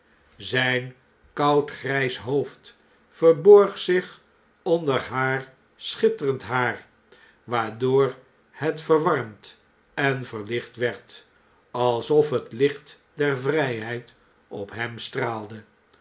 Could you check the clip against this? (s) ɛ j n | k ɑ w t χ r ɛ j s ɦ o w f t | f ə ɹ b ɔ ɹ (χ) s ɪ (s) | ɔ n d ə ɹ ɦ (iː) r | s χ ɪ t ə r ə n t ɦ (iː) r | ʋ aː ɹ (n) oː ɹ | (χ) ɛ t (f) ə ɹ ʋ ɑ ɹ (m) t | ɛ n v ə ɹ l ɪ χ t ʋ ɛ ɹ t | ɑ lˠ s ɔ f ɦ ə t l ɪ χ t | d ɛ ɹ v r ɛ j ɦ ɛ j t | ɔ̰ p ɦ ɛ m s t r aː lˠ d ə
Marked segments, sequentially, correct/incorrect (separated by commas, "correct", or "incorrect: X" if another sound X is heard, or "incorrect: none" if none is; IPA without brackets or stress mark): incorrect: z, correct, incorrect: χ, incorrect: aː, incorrect: aː, incorrect: d, incorrect: h, correct, correct